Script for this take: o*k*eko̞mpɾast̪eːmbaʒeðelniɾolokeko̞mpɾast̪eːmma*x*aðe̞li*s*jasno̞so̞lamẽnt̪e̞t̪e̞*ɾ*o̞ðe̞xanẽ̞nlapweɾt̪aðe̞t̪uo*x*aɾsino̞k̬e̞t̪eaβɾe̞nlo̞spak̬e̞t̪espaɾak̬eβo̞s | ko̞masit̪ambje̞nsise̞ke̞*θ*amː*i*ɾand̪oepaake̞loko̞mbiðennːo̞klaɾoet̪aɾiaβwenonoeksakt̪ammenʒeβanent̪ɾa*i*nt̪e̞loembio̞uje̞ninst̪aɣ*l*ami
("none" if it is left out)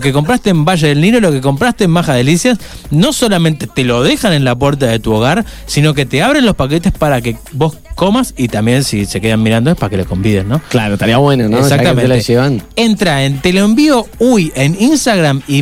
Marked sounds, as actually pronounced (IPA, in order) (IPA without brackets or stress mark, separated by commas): k, x, s, l, ɣ, ð, i, e, ɾ